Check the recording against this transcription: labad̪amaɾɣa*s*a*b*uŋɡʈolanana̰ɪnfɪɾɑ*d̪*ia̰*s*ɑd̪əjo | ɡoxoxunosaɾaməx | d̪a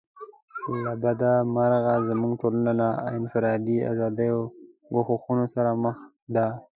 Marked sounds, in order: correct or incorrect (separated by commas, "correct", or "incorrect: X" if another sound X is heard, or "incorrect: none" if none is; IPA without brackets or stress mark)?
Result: incorrect: z, incorrect: m, correct, incorrect: z